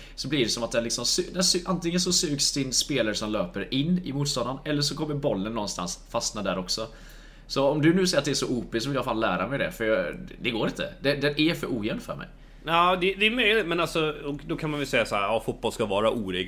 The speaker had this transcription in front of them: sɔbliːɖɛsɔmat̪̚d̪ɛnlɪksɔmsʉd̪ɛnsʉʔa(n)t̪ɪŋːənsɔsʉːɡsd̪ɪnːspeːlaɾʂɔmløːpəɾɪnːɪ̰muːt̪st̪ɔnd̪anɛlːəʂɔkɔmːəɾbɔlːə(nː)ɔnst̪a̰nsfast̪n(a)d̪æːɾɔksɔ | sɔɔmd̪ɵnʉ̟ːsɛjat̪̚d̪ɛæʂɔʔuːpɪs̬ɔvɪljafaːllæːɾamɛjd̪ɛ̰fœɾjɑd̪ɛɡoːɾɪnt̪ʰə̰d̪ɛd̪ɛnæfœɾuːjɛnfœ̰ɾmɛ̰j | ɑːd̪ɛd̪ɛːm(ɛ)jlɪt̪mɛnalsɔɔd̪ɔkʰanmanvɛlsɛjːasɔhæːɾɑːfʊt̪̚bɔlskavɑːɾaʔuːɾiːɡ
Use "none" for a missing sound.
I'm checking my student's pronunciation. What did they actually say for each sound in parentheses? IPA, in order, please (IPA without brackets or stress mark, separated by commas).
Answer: n, nː, a, œ